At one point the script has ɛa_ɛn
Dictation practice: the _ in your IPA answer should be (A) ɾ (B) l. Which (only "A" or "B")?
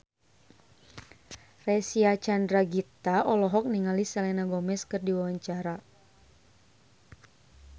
B